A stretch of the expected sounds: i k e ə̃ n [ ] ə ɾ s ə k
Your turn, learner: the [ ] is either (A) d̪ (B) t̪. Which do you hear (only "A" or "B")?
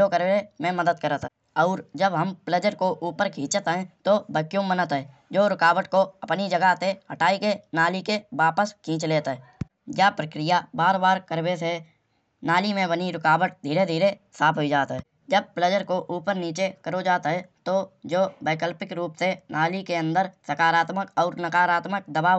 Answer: A